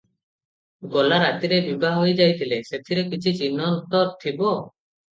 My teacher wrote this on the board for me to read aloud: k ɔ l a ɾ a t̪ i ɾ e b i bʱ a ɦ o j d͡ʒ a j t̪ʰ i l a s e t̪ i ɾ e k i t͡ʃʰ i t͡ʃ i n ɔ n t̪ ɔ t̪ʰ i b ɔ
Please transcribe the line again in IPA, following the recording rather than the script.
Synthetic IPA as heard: ɡ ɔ l a ɾ a t̪ i ɾ e b i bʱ a ɦ o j d͡ʒ a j t̪ʰ i l e s e t̪ʰ i ɾ e k i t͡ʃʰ i t͡ʃ i n ɔ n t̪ ɔ t̪ʰ i b ɔ